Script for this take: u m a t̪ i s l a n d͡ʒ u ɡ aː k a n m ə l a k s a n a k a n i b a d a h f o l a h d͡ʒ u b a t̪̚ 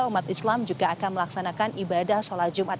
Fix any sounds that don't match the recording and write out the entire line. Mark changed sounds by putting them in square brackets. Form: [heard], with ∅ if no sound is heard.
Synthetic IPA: u m a t̪ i s l a [m] d͡ʒ u ɡ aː k a n m ə l a k s a n a k a n i b a d a h [s] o l a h d͡ʒ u [m] a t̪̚